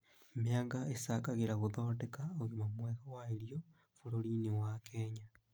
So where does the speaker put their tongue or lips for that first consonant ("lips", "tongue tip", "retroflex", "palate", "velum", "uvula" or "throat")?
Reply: lips